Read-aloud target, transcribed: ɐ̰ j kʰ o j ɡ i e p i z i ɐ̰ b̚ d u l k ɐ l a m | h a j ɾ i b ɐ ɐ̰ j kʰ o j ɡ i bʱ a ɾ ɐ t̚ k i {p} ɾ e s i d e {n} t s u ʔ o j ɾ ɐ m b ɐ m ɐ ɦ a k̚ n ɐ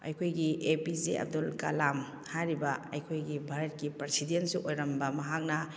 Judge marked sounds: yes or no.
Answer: yes, yes

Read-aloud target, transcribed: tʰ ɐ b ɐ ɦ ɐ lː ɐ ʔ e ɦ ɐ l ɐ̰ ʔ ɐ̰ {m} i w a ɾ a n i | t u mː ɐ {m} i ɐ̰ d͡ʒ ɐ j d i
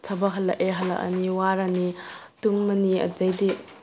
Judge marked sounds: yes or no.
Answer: no, no

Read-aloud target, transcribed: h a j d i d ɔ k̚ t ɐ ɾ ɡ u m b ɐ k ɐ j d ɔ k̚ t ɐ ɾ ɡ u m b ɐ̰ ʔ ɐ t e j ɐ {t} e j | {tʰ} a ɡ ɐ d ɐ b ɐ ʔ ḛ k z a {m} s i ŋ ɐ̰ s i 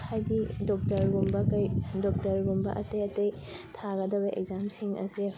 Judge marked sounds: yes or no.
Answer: yes, yes, yes

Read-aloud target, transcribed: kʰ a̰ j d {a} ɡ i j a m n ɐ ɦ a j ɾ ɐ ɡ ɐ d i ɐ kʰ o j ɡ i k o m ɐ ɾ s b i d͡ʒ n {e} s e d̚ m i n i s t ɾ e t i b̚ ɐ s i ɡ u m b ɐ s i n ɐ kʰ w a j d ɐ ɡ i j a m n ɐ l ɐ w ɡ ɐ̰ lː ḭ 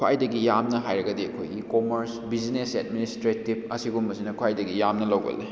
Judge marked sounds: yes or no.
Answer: no, yes

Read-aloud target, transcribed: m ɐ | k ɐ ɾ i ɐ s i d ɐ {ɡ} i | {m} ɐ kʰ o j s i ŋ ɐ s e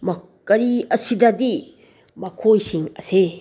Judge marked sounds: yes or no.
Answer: no, yes

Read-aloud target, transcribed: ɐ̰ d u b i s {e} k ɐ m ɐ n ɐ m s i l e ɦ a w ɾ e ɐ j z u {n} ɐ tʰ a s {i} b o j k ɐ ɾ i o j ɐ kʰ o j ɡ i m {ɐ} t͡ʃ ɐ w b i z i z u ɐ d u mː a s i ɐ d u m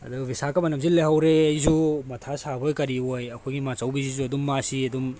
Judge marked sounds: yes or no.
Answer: no, no, no, no

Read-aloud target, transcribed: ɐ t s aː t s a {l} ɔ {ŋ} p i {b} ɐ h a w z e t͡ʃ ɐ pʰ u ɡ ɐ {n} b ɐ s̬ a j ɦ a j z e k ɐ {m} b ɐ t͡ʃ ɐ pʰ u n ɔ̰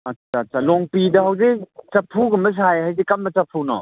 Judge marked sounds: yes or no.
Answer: yes, yes, no, no, yes

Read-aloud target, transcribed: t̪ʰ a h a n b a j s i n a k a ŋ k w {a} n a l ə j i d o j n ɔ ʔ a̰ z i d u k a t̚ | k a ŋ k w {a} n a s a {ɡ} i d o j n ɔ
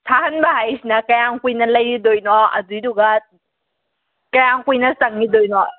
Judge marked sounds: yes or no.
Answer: no, no, no

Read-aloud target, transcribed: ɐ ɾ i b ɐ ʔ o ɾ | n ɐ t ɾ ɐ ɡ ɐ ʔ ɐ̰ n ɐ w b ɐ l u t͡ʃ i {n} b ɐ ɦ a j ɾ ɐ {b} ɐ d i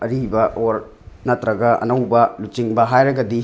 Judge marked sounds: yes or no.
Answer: no, no

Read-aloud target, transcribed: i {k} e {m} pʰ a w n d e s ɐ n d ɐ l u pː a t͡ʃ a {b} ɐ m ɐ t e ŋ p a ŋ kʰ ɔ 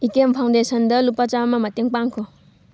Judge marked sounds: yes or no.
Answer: yes, yes, no

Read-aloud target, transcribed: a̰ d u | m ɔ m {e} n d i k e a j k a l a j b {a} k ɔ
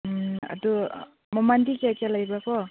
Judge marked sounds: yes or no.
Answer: no, yes

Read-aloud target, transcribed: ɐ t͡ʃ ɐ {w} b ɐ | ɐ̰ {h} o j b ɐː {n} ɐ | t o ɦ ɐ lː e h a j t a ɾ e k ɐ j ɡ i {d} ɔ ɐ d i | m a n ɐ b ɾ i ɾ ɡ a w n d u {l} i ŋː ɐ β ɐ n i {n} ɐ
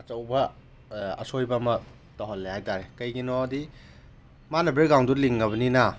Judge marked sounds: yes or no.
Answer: yes, no, no, no, yes, yes

